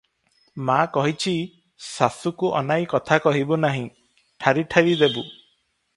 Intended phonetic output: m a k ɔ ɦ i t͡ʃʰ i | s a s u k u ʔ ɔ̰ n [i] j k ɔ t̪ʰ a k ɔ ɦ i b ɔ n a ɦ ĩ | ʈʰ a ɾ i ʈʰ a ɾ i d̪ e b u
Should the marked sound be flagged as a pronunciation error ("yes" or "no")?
yes